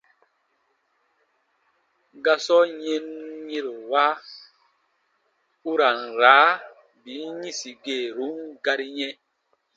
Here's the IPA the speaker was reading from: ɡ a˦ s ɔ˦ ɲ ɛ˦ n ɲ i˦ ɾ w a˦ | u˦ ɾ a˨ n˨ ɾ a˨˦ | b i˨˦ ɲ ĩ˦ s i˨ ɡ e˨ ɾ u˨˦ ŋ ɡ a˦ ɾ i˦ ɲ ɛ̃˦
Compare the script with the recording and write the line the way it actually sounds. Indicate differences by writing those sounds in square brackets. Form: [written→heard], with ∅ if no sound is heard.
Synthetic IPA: ɡ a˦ s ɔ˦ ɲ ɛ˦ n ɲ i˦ ɾ w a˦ | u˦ ɾ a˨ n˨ ɾ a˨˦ | b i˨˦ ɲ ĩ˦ s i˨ ɡ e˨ ɾ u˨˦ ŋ ɡ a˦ ɾ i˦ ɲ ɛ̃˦